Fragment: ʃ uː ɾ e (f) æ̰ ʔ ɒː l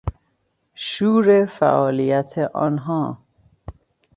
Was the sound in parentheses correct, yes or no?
yes